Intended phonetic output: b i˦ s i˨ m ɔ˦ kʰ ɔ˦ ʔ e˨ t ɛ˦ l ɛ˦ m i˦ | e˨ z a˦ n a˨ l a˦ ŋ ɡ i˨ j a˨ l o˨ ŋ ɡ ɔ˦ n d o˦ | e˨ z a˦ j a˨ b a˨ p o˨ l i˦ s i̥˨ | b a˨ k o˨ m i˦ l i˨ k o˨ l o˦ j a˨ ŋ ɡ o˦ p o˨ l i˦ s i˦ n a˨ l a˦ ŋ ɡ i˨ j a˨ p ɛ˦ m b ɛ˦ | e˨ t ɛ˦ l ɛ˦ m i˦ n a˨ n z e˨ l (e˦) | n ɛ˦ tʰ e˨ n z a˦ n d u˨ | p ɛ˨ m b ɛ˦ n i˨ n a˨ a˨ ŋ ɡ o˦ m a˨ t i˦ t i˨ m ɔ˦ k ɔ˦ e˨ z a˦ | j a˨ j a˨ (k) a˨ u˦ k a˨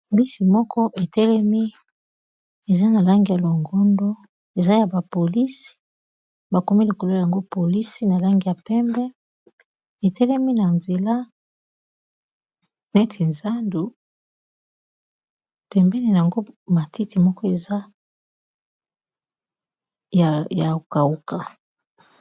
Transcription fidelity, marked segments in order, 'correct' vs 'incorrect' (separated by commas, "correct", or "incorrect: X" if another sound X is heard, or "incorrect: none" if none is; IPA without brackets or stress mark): incorrect: a˦, correct